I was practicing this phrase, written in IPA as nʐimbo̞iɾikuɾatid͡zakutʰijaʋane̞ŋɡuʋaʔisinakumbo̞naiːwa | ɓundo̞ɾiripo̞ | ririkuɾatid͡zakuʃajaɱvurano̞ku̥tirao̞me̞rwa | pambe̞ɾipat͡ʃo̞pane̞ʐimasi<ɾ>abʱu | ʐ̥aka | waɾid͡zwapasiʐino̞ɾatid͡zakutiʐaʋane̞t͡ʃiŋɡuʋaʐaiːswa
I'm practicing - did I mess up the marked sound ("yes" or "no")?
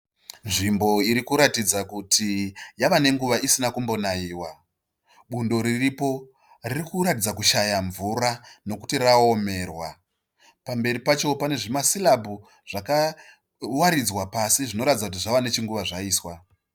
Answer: yes